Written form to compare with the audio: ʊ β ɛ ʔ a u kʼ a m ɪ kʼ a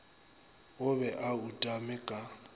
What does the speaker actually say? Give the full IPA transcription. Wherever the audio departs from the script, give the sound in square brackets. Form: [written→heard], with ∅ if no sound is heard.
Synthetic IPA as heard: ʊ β ɛ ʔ a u [kʼ→tʼ] a m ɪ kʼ a